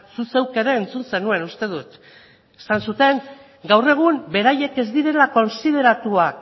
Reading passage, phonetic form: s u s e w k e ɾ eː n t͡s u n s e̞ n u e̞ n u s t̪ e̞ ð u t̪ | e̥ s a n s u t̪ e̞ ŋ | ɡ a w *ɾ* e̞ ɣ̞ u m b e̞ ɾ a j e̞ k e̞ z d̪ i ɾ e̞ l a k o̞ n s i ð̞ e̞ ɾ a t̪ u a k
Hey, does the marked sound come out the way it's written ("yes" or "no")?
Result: no